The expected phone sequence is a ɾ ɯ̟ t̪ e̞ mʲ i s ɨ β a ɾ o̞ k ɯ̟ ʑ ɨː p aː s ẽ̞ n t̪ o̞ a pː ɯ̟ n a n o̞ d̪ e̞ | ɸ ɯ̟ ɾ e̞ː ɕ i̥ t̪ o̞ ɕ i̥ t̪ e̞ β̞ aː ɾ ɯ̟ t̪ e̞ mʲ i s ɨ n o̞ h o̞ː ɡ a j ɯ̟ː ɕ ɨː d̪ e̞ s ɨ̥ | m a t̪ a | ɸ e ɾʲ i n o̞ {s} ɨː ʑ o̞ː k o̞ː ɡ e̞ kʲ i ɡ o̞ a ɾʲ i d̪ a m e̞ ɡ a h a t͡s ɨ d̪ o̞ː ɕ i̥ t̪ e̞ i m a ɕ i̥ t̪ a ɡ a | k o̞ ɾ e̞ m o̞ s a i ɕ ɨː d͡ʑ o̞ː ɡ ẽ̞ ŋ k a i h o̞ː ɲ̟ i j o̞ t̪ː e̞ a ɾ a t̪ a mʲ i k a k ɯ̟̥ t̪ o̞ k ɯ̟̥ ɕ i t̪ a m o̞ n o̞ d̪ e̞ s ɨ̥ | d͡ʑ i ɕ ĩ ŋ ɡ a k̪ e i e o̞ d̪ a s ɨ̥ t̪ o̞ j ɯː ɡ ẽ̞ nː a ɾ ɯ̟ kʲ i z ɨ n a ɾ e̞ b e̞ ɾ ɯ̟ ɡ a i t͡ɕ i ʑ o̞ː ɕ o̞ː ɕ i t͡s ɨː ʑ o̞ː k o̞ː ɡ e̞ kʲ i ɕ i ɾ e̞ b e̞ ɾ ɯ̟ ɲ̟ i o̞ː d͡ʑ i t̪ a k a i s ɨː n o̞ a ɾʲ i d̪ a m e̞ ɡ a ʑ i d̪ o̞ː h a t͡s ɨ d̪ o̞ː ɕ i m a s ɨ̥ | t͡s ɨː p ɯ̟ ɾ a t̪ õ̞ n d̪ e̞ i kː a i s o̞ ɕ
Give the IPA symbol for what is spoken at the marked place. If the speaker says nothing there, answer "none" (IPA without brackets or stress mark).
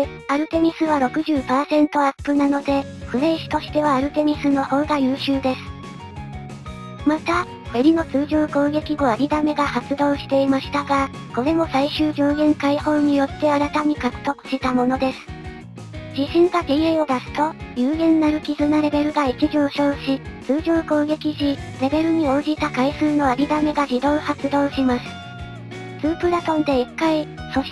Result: t͡s